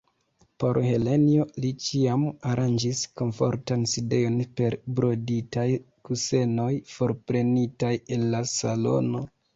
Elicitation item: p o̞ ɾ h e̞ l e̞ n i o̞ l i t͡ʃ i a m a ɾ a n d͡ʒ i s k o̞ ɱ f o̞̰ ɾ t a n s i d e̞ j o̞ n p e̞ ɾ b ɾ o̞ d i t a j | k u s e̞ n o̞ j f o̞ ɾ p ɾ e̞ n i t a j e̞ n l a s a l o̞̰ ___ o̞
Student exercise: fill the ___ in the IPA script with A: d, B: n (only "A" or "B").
B